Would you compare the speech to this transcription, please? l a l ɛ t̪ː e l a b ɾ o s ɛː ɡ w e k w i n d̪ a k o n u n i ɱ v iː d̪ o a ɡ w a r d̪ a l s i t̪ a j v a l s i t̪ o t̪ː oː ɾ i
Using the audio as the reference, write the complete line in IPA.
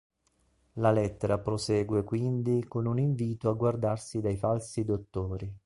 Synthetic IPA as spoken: l a l ɛ t̪ː e ɾ a p ɾ o s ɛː ɡ w e k w i n d̪ i k o n u n i ɱ v iː t̪ o a ɡ w a r d̪ a r s i d̪ a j f a l s i d̪ o t̪ː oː ɾ i